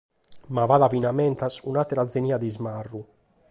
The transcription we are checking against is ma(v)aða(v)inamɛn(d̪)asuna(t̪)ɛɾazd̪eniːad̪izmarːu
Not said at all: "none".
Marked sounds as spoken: v, v, t̪, t̪

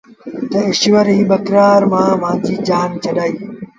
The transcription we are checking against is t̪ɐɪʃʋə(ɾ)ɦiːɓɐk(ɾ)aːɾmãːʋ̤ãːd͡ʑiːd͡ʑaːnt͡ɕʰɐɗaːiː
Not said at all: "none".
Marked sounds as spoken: ɾ, ɾ

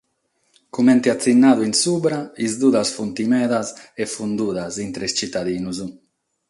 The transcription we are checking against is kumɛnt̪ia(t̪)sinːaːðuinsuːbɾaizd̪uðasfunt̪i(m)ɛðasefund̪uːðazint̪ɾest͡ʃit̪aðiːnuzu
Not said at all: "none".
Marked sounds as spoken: t̪, m

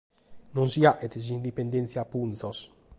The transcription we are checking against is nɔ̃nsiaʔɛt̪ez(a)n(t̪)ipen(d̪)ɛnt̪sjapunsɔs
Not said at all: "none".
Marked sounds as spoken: i, d̪, d̪

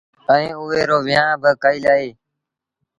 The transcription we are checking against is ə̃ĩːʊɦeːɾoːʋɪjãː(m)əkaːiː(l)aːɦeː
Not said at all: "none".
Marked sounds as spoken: b, l

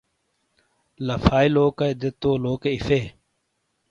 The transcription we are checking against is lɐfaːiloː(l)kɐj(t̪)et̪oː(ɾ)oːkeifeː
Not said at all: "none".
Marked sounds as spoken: none, d̪, l

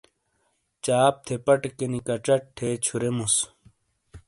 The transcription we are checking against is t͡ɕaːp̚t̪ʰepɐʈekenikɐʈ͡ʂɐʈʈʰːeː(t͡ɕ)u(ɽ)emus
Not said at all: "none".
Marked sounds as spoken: t͡ɕʰ, ɾ

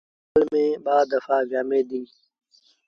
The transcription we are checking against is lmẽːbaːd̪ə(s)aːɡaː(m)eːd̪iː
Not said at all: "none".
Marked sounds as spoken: f, m

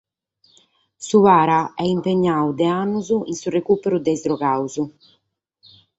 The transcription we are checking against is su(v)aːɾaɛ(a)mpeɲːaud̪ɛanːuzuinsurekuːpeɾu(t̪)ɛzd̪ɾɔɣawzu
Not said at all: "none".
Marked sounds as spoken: v, i, d̪

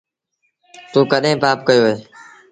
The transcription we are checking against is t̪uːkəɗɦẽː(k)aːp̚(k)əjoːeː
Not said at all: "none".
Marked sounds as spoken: p, k

